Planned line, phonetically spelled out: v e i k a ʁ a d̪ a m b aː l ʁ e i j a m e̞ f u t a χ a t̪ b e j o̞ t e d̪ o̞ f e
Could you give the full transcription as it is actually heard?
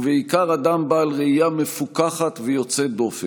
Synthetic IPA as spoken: v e i k a ʁ a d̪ a m b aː l ʁ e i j a m e̞ f u k a χ a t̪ v e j o̞ t͡s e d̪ o̞ f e